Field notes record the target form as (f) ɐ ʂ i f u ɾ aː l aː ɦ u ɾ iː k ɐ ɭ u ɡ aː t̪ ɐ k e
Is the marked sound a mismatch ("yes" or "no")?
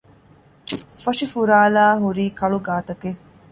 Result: no